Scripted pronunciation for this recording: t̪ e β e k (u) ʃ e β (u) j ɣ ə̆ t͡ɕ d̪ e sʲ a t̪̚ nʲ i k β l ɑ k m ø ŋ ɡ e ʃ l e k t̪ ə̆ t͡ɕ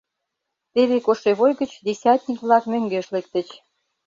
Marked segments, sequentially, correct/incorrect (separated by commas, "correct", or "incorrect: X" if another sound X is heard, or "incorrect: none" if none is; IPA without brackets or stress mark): incorrect: o, incorrect: o